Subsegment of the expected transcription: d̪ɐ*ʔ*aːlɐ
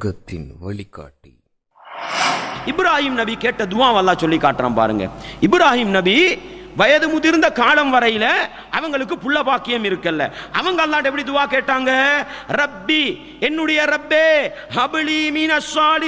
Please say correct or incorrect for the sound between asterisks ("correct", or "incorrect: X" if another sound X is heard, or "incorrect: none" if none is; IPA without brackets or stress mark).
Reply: incorrect: k